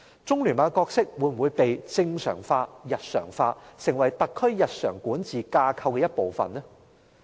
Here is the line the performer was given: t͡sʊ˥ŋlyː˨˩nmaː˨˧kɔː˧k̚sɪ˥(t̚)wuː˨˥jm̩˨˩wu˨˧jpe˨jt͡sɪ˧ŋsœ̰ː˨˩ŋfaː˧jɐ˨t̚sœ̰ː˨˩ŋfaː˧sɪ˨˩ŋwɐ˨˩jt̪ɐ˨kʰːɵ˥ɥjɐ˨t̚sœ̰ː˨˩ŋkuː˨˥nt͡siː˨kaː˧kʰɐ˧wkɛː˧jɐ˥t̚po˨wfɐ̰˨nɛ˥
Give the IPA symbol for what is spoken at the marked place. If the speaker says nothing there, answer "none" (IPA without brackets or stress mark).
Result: k̚